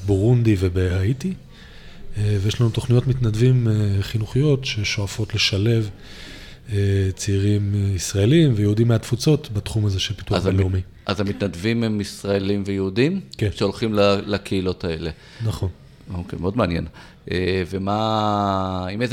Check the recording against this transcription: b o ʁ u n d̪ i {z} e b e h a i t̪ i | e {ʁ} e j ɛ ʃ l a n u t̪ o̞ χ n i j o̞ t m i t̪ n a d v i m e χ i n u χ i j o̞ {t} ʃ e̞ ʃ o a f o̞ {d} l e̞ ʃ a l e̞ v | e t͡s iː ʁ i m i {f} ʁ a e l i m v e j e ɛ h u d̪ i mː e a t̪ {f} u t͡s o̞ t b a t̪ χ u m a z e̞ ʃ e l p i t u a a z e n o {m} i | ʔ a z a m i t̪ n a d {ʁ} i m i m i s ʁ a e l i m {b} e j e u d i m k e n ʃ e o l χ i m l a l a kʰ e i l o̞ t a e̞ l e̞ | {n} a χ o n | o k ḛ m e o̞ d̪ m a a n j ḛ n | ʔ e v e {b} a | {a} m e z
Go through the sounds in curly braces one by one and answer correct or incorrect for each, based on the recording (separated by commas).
incorrect, incorrect, correct, incorrect, incorrect, correct, correct, incorrect, incorrect, correct, incorrect, incorrect